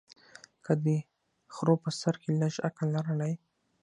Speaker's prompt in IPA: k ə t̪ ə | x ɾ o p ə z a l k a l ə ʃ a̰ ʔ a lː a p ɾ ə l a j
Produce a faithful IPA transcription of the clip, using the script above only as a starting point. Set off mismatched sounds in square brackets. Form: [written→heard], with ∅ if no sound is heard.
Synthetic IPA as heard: k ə [t̪→d̪] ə | x ɾ o p ə [z→s] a [l→ɾ] k [a→e] l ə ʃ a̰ [ʔ→k] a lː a [p→∅] ɾ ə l a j

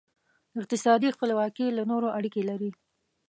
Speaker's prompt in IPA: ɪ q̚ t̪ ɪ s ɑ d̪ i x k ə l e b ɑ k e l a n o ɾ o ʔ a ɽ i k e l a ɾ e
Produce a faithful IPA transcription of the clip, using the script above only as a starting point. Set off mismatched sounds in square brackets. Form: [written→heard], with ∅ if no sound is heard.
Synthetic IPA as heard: ɪ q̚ t̪ ɪ s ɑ d̪ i x [k→p] ə l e [b→w] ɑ k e l a n o ɾ o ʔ a ɽ i k e l a ɾ [e→i]

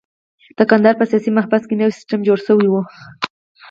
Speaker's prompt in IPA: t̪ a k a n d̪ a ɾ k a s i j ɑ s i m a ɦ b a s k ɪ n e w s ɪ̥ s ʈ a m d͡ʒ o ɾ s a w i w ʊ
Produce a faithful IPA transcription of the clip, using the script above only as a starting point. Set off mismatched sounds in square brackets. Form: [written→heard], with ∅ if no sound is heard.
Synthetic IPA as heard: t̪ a k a n d̪ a ɾ [k→p] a s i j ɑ s i m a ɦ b a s k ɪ n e w s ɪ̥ s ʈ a m d͡ʒ o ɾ s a w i w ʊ

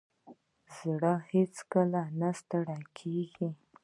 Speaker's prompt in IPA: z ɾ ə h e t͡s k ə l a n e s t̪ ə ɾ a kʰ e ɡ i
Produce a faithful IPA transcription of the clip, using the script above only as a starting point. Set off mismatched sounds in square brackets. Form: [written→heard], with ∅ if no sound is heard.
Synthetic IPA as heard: z [ɾ→ɽ] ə h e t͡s k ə l a n [e→a] s t̪ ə [ɾ→ɽ] a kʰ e ɡ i

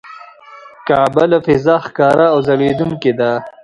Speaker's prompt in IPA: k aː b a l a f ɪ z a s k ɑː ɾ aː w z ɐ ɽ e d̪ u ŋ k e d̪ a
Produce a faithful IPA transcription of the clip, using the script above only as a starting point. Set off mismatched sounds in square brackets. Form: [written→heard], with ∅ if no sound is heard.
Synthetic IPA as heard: k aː b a l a f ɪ z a [s→x] k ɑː ɾ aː w z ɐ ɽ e d̪ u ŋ k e d̪ a

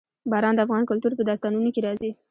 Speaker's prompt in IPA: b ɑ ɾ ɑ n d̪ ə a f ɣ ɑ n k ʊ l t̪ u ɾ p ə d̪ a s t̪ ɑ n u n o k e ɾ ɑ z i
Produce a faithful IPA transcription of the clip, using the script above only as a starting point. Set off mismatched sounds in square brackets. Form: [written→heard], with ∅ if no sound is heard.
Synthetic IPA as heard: b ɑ ɾ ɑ n d̪ ə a f ɣ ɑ n k ʊ l t̪ u ɾ p ə d̪ [a→ɑ] s t̪ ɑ n u n o k e ɾ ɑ z i

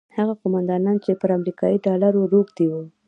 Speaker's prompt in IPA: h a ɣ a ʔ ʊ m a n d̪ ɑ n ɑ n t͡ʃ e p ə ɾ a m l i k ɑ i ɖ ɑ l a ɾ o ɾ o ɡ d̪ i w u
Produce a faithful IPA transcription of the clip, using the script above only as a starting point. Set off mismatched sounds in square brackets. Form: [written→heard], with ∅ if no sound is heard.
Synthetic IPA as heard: h a ɣ a [ʔ→q] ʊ m a n d̪ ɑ n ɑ n t͡ʃ e p ə ɾ a m [l→ɾ] i k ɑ i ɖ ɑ l a ɾ o ɾ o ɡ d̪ i w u

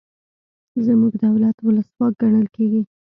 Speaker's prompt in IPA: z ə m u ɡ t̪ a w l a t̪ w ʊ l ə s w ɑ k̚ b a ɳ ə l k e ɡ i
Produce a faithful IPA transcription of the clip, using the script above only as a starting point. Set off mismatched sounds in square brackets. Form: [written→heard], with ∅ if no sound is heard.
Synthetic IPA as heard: z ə m u ɡ [t̪→d̪] a w l a t̪ w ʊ l ə s w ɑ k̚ [b→ɡ] a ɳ ə l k e ɡ i

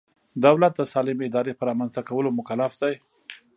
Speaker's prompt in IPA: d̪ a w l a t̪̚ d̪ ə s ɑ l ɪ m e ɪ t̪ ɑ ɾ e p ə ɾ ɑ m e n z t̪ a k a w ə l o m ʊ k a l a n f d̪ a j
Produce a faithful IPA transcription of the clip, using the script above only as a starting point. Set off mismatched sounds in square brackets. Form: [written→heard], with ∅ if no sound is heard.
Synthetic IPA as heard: d̪ a w l a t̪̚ d̪ ə s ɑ l ɪ m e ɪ [t̪→d̪] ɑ ɾ e p ə ɾ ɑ m [e→a] n z t̪ a k a w ə l o m ʊ k a l a [n→∅] f d̪ a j

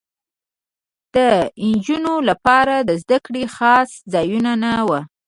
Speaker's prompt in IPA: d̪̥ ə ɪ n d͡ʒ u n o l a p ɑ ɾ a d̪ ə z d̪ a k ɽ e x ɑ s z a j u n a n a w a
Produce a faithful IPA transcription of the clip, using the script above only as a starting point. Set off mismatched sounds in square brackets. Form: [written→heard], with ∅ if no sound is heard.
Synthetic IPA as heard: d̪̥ ə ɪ n d͡ʒ u n o l a p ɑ ɾ a d̪ ə z d̪ a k ɽ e x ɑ s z [a→ɑ] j u n a n a w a

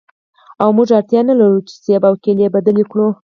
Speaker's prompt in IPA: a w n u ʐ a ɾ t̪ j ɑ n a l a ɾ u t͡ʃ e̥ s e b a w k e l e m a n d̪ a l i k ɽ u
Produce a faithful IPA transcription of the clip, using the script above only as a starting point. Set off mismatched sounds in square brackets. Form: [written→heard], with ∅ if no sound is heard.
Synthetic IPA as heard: a w [n→m] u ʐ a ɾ t̪ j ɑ n a l a ɾ u t͡ʃ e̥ s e b a w k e l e [m→b] a [n→∅] d̪ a l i k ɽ u

